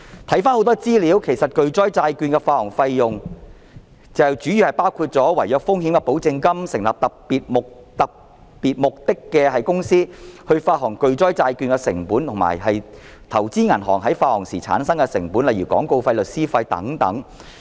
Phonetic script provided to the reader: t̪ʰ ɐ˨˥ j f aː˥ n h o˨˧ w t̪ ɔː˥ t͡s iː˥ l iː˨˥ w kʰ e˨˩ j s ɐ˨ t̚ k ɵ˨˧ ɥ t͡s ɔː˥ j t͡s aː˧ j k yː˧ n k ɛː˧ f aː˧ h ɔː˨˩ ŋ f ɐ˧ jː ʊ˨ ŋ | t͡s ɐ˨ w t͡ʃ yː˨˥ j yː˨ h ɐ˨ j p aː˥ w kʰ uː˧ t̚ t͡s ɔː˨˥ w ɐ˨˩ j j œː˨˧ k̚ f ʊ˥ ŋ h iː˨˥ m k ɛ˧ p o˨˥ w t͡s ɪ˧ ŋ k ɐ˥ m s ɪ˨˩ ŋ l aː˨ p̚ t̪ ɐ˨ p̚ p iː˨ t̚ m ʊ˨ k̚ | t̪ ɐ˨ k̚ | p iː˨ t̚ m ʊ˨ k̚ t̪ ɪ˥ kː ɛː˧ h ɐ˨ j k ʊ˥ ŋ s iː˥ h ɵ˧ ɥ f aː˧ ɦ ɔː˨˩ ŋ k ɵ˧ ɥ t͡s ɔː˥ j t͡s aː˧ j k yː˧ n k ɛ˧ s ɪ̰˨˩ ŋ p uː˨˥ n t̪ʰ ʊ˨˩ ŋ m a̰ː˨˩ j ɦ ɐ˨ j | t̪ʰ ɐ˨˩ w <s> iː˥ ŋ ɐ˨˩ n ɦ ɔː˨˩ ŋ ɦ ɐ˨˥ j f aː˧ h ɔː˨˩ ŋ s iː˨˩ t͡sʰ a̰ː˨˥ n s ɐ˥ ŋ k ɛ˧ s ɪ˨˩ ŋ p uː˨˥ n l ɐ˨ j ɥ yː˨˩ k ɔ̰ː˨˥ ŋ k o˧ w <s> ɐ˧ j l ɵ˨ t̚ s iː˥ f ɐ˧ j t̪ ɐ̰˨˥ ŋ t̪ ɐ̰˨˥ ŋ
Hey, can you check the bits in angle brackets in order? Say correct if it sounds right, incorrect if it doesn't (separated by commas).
incorrect, incorrect